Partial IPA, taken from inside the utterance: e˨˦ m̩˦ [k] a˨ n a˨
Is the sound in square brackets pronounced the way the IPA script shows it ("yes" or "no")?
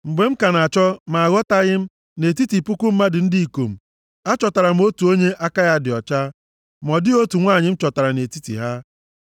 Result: yes